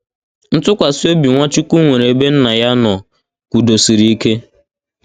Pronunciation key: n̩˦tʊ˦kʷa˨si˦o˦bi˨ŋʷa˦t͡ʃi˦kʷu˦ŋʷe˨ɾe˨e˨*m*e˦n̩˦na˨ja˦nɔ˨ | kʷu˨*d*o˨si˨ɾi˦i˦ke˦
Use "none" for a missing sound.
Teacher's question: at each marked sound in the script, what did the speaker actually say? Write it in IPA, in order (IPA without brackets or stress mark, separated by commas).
b, d